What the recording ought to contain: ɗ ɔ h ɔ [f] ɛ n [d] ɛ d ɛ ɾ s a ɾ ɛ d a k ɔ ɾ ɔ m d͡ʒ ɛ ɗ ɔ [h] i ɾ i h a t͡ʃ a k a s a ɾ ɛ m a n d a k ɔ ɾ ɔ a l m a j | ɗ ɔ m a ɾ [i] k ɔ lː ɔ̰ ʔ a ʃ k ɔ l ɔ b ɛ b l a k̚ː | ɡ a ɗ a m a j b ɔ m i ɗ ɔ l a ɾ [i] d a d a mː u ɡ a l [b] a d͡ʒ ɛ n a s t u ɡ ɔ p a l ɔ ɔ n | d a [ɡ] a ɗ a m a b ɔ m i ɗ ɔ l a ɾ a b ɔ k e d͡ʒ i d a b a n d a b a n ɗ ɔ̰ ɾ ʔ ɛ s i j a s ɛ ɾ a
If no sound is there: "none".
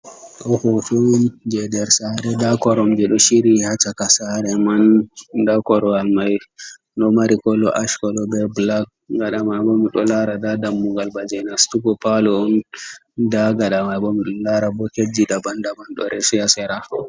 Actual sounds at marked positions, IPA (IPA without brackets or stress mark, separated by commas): f, d͡ʒ, ʃ, i, a, b, ɡ